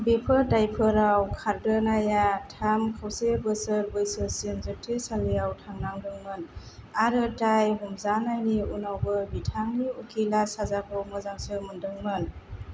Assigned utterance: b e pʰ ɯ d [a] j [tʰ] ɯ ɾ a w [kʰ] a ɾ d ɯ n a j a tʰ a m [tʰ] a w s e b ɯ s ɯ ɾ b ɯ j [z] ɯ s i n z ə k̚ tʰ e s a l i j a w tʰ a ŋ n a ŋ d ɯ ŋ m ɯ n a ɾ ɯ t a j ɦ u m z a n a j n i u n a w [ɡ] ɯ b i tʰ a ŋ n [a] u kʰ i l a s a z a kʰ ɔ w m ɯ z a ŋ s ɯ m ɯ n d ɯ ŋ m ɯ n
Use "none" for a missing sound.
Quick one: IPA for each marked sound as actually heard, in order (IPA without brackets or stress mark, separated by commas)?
a, pʰ, kʰ, kʰ, s, b, i